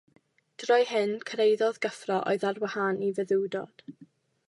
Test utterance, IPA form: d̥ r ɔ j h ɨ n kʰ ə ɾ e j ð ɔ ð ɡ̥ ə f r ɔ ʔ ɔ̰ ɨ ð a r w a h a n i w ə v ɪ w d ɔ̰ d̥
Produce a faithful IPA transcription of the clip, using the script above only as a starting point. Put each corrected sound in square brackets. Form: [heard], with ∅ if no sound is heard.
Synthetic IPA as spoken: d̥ r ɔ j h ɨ n kʰ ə ɾ e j ð ɔ ð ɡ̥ ə f r ɔ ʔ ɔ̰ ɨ ð a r w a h a n i [v] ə [ð] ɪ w d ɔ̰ d̥